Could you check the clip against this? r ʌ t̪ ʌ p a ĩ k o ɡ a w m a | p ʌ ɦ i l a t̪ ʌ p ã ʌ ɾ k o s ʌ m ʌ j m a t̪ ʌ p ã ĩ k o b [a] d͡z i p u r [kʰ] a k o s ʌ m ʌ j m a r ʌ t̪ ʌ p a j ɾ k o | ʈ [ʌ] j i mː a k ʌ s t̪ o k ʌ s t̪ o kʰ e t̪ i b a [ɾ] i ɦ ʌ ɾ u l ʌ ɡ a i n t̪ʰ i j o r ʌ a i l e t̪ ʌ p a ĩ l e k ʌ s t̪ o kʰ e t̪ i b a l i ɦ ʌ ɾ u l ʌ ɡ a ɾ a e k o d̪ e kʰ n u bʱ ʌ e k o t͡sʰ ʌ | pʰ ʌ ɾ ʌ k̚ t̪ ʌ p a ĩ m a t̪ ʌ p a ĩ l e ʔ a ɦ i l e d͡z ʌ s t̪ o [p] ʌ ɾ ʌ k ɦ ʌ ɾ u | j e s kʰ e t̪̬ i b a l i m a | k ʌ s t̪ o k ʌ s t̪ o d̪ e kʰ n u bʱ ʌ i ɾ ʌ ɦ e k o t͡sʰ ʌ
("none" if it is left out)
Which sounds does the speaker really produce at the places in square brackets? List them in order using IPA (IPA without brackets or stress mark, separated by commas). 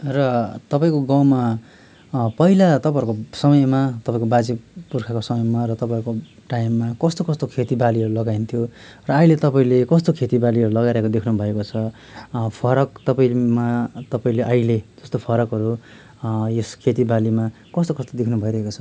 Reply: a, kʰ, a, l, pʰ